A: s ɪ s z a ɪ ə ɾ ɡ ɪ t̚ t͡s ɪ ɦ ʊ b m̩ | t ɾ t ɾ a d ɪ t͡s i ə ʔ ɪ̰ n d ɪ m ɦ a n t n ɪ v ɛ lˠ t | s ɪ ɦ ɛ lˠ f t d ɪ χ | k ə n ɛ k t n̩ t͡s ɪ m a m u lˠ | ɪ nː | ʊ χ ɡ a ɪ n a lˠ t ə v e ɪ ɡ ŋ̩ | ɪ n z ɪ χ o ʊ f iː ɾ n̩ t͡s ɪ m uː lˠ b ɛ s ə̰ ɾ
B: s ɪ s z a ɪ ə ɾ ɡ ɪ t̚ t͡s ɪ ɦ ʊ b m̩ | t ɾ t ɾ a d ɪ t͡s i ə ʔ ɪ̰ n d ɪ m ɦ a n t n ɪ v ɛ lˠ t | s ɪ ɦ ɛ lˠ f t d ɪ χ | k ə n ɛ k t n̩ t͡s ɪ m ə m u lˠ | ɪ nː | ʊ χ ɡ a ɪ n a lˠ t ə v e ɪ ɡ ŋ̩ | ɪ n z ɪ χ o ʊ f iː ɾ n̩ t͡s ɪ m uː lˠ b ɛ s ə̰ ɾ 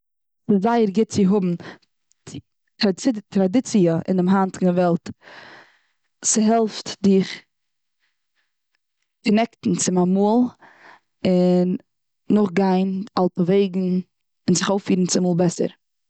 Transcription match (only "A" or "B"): A